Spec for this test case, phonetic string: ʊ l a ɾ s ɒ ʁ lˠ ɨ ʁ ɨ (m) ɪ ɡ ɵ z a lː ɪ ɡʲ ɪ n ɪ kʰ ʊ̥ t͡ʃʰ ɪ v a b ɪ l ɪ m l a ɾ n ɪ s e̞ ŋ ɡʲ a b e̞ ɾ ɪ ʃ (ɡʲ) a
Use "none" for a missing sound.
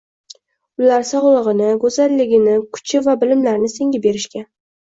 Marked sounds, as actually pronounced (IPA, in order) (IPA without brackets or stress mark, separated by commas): n, kʲ